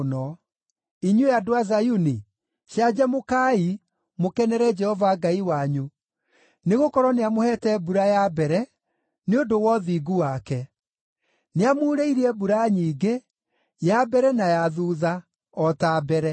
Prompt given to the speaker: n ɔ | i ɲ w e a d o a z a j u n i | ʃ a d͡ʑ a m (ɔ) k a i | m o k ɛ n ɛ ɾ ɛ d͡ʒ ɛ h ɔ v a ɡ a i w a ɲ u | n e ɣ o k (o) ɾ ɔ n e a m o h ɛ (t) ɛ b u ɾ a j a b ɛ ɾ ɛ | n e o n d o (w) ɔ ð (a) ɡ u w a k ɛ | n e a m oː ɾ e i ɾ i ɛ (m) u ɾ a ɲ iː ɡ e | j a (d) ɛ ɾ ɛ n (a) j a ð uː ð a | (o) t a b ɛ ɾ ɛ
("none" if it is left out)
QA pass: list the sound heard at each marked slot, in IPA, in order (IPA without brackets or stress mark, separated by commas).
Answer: o, ɔ, t, w, i, b, b, a, ɔ